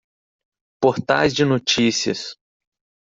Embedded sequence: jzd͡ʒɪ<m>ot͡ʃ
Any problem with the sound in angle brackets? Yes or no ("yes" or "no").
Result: yes